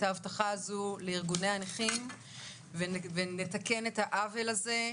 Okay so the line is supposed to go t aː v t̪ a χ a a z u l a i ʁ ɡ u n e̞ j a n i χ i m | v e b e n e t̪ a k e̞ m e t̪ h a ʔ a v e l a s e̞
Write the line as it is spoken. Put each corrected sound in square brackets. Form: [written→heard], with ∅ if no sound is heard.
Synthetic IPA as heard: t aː v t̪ a χ a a z u l [a→e] i ʁ ɡ u n e̞ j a n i χ i m | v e [b→v] e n e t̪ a k e̞ [m→n] e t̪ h a ʔ a v e l a [s→z] e̞